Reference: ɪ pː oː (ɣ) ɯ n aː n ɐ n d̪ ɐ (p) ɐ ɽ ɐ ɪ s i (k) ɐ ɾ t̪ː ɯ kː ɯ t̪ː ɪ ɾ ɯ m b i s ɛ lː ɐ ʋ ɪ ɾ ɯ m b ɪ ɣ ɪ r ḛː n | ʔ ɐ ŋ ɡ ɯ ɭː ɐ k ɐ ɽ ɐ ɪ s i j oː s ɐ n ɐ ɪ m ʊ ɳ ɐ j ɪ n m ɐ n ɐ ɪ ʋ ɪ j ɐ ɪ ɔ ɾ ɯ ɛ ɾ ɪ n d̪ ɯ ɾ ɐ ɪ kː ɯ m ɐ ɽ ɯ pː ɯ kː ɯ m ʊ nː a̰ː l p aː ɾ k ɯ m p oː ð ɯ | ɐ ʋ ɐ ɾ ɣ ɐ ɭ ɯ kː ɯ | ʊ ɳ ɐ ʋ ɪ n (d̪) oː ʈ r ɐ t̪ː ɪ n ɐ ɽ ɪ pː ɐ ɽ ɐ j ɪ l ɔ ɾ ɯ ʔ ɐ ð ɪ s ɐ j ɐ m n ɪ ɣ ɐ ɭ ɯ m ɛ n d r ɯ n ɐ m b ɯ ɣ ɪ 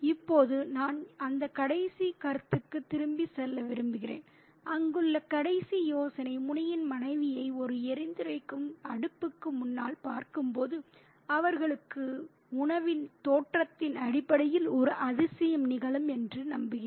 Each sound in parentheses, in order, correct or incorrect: incorrect: ð, incorrect: k, correct, incorrect: t̪

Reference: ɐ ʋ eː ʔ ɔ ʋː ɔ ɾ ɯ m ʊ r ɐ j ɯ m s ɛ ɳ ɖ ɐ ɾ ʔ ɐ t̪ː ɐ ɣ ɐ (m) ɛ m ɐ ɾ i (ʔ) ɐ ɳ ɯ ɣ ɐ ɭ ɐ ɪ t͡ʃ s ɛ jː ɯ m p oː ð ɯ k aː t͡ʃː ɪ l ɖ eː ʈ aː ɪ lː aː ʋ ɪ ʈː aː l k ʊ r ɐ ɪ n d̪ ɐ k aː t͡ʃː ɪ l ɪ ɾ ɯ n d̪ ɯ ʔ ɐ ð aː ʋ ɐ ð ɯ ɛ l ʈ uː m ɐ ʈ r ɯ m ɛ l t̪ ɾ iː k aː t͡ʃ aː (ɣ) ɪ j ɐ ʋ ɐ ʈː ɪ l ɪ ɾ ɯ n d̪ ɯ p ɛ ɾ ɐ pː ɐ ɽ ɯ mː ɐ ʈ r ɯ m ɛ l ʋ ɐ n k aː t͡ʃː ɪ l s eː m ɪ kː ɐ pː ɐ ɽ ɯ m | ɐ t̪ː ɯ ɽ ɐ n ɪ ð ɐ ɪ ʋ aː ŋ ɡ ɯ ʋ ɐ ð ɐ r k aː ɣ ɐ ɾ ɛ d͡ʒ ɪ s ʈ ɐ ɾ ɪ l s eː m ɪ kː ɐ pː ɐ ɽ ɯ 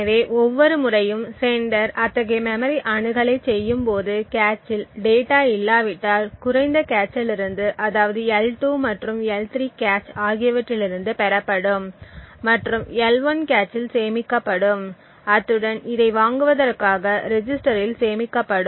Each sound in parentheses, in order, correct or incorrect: correct, correct, correct

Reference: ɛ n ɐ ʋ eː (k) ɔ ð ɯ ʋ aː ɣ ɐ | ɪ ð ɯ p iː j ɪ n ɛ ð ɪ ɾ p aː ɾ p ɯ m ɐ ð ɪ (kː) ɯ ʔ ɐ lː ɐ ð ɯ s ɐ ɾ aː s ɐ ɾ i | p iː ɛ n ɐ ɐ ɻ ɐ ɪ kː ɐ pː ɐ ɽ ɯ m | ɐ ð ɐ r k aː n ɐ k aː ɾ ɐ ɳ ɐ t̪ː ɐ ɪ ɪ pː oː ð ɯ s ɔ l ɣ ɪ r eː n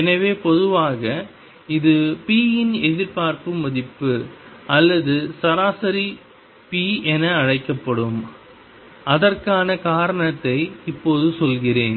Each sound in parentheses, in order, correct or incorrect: incorrect: p, incorrect: pː

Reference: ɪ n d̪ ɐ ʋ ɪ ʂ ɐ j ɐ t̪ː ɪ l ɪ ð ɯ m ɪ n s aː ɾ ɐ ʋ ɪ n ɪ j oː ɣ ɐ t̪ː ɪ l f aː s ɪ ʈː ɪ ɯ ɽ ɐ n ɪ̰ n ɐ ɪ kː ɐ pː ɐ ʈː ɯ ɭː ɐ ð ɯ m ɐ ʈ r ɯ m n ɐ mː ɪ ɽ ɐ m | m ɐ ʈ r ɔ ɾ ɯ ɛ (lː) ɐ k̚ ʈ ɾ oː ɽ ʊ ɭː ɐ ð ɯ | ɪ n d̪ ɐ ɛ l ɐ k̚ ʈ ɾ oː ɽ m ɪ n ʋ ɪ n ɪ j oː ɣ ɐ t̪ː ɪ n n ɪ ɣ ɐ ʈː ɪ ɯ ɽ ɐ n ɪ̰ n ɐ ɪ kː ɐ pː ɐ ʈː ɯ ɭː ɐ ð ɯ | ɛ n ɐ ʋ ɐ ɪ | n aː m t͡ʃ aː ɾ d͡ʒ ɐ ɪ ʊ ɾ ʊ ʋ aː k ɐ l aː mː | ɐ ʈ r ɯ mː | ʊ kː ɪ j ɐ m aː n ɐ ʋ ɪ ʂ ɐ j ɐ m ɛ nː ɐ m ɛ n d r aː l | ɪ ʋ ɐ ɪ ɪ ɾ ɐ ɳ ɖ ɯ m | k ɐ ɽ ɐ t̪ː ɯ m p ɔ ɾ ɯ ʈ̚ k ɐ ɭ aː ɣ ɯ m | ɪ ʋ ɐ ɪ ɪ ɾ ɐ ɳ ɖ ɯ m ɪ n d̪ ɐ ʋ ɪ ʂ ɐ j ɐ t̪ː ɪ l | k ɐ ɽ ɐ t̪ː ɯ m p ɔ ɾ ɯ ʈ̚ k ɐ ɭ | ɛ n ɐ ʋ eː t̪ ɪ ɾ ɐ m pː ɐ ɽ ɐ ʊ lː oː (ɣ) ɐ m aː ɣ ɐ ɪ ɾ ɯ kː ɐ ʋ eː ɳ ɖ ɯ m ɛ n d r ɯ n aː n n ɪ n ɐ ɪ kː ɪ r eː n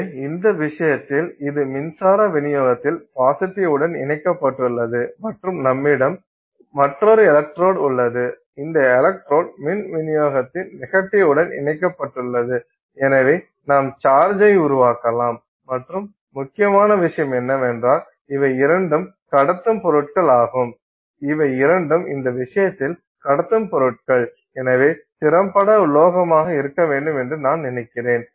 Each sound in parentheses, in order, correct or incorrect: incorrect: l, correct

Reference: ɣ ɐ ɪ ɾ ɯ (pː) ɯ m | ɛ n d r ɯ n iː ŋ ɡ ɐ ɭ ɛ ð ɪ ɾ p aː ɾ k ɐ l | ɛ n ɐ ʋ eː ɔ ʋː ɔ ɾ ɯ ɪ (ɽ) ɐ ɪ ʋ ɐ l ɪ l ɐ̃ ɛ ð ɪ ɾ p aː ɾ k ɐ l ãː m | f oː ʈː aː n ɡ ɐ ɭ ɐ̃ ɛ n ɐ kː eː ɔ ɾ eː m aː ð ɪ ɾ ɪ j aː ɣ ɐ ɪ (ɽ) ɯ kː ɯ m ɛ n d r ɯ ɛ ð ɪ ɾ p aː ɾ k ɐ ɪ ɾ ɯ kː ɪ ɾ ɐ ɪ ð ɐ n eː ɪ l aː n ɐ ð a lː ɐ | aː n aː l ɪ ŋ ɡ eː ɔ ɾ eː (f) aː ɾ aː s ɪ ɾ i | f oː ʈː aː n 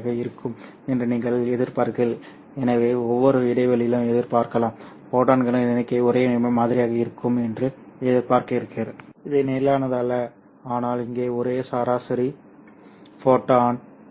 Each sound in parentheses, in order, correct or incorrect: incorrect: kː, correct, incorrect: ɾ, incorrect: s

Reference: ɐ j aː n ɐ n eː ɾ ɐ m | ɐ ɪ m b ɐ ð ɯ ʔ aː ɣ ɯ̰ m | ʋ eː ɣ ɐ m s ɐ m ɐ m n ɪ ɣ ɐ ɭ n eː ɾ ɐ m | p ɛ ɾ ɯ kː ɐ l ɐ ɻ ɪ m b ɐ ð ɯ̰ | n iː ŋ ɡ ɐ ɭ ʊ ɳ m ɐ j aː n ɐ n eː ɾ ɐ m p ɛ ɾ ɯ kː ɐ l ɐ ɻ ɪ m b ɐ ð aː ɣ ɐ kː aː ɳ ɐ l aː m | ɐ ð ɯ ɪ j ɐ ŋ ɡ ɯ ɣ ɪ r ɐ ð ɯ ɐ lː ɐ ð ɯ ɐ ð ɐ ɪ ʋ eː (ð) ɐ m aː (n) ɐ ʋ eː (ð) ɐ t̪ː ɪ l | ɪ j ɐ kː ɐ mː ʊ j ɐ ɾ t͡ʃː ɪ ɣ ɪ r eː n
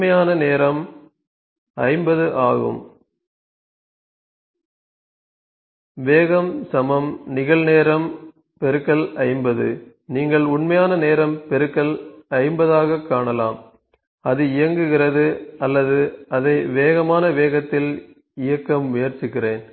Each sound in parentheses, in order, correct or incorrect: incorrect: ɣ, correct, incorrect: ɣ

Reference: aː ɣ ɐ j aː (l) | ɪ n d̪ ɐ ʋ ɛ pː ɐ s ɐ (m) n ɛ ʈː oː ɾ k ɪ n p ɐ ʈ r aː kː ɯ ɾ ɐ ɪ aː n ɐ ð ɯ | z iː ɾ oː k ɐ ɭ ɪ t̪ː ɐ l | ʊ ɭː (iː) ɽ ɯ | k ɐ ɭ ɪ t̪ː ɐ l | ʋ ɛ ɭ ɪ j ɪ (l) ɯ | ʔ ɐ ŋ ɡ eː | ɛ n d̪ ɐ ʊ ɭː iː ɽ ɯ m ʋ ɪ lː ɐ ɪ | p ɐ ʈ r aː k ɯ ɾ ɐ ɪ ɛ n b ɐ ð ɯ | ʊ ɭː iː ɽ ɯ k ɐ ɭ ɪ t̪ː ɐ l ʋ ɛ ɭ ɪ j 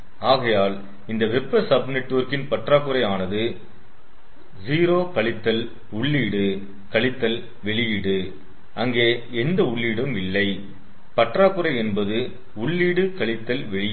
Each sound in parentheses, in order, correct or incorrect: correct, incorrect: b, correct, incorrect: ɽ

